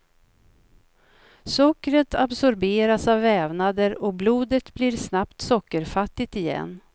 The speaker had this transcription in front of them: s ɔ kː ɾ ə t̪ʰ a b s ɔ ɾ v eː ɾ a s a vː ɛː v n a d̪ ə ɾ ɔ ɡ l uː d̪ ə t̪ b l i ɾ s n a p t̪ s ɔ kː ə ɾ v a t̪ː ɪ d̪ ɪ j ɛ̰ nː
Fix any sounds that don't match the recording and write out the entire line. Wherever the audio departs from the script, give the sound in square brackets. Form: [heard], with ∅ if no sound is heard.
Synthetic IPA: s ɔ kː ɾ ə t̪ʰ a b s ɔ ɾ [b] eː ɾ a s a vː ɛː v n a d̪ ə ɾ ɔ [b] l uː d̪ ə t̪ b l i ɾ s n a p t̪ s ɔ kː ə ɾ [f] a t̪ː ɪ [t̪] ɪ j ɛ̰ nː